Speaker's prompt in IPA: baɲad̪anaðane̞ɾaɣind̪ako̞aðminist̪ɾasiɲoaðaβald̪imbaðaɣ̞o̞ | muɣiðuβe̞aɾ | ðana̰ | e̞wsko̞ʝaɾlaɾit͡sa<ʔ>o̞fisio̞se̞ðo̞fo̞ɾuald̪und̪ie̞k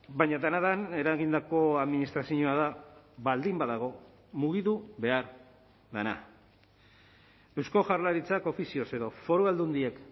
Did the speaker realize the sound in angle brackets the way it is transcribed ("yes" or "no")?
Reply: no